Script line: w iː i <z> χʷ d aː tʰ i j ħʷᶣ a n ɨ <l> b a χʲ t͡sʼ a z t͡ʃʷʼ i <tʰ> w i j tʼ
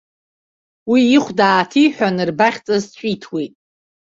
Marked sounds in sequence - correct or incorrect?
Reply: incorrect: none, incorrect: r, correct

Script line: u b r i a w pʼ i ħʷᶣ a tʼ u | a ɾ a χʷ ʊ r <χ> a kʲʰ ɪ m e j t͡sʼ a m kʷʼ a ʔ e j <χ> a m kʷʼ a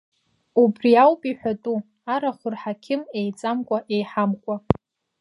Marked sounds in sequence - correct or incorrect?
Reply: incorrect: ħ, incorrect: ħ

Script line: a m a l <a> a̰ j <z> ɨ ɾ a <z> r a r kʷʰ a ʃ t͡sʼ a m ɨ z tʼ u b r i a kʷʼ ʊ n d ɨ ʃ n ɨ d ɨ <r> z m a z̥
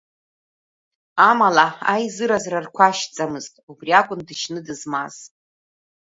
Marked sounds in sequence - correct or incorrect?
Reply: correct, correct, correct, incorrect: none

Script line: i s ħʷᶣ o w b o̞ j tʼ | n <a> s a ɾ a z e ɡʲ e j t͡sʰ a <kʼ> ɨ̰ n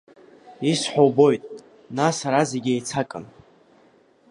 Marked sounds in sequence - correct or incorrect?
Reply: correct, correct

